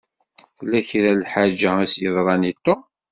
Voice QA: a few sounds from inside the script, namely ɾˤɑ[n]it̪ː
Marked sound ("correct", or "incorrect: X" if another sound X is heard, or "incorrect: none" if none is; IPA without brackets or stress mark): correct